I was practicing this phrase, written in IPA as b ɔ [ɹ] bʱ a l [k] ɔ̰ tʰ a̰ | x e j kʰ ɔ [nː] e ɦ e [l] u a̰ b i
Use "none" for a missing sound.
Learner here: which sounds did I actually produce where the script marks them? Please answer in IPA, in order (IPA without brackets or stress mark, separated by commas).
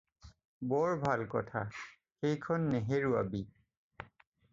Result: ɹ, k, nː, ɹ